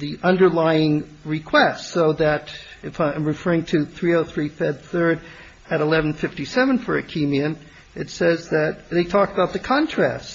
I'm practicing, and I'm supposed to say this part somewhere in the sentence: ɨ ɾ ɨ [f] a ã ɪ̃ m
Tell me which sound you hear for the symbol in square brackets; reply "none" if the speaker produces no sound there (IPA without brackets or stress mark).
f